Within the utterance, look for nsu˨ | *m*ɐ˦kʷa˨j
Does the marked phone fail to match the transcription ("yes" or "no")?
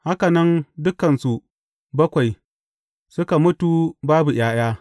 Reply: yes